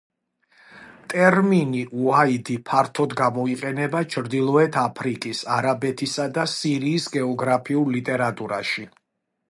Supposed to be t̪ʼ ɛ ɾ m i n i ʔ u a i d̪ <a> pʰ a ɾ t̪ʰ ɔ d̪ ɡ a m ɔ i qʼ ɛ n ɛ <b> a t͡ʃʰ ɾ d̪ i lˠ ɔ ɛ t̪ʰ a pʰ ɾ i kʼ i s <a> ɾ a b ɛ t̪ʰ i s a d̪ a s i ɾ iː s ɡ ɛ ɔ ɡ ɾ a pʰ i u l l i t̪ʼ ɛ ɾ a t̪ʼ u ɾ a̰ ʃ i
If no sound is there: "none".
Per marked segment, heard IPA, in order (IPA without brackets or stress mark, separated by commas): i, b, a